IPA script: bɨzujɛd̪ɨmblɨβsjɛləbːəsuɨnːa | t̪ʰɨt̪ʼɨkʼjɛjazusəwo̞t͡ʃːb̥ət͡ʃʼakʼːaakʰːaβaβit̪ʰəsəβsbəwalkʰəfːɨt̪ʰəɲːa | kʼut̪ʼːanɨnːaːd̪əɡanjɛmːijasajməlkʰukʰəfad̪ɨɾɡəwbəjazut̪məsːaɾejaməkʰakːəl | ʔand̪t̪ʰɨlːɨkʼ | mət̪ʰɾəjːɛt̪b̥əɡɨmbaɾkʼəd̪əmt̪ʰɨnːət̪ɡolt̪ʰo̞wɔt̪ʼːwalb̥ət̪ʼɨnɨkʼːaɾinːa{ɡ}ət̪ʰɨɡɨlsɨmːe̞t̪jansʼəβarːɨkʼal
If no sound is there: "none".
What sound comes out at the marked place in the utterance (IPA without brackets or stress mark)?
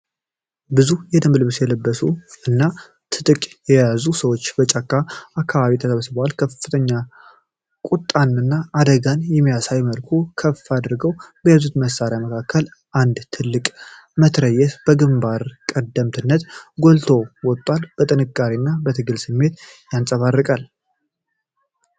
b